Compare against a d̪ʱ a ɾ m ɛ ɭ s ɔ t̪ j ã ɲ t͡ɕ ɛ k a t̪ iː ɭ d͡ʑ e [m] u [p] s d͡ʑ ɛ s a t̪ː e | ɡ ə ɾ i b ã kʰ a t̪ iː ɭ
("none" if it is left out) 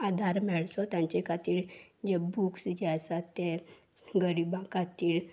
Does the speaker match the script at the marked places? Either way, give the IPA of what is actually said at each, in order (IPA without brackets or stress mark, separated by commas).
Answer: b, k